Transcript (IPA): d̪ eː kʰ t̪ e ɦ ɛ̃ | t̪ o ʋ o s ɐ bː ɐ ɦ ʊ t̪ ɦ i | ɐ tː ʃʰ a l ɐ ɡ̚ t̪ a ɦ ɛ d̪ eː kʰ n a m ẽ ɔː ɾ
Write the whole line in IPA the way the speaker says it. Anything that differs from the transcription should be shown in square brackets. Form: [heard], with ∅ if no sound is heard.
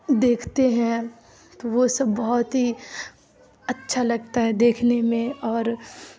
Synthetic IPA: d̪ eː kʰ t̪ e ɦ ɛ̃ | t̪ o ʋ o s ɐ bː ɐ ɦ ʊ t̪ ɦ i | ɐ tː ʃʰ a l ɐ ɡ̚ t̪ a ɦ ɛ d̪ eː kʰ n [e] m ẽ ɔː ɾ